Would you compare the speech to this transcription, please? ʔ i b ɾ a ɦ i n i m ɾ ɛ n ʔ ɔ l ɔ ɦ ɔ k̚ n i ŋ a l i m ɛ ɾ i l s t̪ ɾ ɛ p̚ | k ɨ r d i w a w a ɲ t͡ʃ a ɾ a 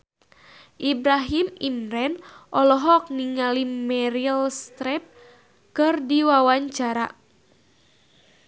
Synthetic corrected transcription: ʔ i b ɾ a ɦ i m i m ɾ ɛ n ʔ ɔ l ɔ ɦ ɔ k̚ n i ŋ a l i m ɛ ɾ i l s t̪ ɾ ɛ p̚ | k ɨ r d i w a w a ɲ t͡ʃ a ɾ a